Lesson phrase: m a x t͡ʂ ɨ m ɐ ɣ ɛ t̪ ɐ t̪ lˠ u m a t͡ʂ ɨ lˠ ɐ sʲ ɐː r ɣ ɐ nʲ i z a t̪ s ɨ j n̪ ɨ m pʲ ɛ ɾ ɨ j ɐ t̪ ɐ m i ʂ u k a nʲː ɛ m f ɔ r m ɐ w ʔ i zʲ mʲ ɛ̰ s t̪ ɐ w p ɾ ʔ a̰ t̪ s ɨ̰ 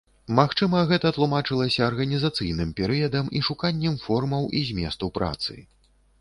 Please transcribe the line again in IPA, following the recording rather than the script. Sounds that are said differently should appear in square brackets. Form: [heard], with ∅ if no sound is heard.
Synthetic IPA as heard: m a x t͡ʂ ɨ m ɐ ɣ ɛ t̪ ɐ t̪ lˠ u m a t͡ʂ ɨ lˠ ɐ sʲ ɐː r ɣ ɐ nʲ i z a t̪ s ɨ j n̪ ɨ m pʲ ɛ ɾ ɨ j ɐ [d̪] ɐ m i ʂ u k a nʲː ɛ m f ɔ r m ɐ w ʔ i zʲ mʲ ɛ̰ s t̪ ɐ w p ɾ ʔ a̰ t̪ s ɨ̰

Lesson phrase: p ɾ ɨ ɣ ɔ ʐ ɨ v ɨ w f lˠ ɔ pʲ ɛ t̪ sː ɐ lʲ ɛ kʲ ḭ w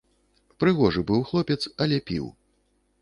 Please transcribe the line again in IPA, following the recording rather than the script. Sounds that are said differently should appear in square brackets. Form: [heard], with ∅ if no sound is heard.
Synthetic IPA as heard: p ɾ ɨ ɣ ɔ ʐ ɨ [b] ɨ w [x] lˠ ɔ pʲ ɛ t̪ [s] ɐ lʲ ɛ [pʲ] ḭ w

